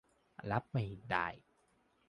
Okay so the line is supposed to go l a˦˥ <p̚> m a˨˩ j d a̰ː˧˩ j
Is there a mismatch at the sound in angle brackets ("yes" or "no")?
no